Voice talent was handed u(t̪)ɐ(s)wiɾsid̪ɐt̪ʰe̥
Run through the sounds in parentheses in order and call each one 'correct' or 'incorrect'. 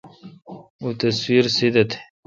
correct, correct

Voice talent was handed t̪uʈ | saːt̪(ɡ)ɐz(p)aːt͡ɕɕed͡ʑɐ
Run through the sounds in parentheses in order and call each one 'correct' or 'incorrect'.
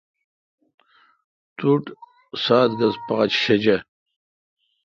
correct, correct

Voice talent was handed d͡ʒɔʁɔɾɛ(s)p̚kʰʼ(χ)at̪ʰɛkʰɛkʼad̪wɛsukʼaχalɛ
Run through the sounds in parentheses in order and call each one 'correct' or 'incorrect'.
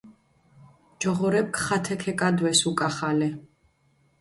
incorrect, correct

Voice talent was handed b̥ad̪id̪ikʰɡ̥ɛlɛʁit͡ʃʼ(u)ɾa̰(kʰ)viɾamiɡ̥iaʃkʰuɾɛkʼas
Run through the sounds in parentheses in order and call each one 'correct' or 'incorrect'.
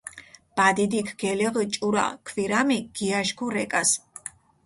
correct, correct

